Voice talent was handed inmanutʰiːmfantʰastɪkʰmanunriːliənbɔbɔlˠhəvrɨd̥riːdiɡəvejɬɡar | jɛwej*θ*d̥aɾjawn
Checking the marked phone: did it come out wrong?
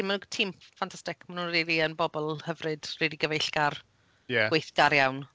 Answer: no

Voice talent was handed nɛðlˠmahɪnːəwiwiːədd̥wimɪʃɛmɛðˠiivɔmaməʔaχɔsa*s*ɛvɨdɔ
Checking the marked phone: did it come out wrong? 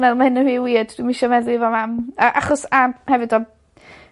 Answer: yes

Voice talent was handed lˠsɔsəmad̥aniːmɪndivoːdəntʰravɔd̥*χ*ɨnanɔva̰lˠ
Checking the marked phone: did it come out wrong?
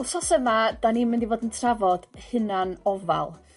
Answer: yes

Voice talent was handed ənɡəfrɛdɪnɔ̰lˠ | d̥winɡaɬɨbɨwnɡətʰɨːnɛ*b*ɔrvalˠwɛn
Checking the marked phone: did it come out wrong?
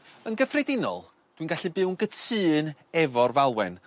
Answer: yes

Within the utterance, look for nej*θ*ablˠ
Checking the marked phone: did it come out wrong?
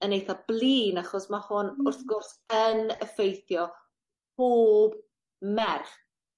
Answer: no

